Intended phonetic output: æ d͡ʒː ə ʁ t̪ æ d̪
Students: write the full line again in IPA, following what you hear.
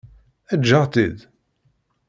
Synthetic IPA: æ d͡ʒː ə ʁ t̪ i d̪